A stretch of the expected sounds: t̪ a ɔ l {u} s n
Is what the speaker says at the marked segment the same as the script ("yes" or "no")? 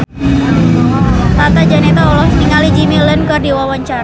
no